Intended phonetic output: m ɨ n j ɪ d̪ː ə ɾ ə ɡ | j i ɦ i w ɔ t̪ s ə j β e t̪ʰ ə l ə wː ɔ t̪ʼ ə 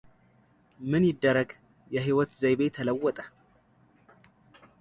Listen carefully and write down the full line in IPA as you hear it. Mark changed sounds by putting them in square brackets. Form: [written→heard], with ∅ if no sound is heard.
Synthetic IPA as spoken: m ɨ n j ɪ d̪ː ə ɾ ə ɡ | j [i→ɛ] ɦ i w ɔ t̪ [s→z] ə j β e t̪ʰ ə l ə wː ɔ t̪ʼ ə